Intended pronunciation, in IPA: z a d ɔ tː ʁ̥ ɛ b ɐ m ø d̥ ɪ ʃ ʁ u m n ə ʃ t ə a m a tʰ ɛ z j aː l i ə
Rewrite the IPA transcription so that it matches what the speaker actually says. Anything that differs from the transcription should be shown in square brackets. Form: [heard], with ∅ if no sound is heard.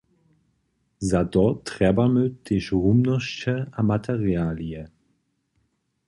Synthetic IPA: z a d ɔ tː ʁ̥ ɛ b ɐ m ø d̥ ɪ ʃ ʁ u m n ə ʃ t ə a m a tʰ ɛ [ʁ] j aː l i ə